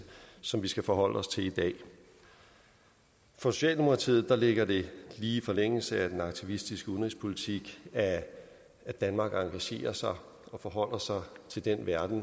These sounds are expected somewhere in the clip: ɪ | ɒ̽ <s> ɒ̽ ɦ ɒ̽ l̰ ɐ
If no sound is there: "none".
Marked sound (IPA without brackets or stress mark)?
f